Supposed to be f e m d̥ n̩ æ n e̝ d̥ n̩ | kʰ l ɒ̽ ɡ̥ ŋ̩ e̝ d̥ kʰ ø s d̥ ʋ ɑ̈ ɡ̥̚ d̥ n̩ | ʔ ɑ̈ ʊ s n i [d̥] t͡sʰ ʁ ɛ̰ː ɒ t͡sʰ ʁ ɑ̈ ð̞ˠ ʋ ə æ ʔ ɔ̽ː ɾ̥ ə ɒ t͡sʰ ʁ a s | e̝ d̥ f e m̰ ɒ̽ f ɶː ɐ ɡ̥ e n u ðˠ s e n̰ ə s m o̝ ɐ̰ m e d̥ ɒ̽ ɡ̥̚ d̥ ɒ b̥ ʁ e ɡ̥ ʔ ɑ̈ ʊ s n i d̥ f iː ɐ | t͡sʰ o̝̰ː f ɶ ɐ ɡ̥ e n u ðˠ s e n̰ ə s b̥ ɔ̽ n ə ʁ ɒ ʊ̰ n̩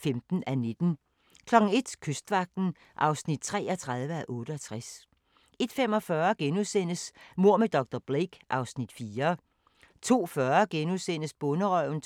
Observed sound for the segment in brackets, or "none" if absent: d̥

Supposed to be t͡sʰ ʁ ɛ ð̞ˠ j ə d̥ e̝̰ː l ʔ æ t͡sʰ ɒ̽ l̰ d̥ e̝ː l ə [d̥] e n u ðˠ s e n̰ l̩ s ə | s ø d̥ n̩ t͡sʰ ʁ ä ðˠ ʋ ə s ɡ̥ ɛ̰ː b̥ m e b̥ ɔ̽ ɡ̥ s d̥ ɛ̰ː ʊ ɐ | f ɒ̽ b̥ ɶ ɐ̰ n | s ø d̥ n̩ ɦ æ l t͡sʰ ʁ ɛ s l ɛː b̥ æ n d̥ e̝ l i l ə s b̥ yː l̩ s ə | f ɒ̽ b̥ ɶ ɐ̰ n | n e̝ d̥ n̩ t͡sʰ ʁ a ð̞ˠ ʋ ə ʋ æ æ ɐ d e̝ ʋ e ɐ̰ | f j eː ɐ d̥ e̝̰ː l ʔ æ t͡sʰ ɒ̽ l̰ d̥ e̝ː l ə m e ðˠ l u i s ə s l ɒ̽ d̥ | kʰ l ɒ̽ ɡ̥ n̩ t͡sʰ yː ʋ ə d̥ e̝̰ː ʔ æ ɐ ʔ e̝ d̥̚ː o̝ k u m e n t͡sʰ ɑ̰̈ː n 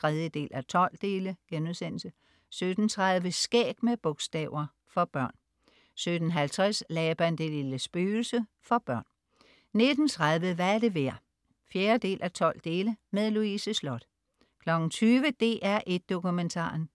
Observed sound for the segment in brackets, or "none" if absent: ɡ̥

